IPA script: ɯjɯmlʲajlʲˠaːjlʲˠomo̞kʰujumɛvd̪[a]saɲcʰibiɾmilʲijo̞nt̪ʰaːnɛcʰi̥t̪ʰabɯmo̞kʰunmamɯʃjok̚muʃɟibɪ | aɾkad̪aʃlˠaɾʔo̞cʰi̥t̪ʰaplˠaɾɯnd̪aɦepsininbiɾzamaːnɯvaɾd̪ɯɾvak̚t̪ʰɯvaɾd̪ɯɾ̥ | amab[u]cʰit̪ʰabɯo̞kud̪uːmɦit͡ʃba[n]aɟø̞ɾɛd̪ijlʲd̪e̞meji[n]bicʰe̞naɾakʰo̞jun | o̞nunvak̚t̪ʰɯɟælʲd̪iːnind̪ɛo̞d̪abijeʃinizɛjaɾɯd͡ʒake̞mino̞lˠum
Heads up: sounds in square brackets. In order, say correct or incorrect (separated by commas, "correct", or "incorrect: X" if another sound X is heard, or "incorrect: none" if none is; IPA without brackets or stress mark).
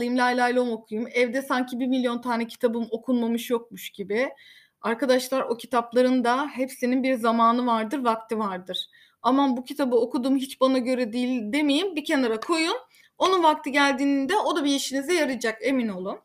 incorrect: ɛ, correct, correct, incorrect: m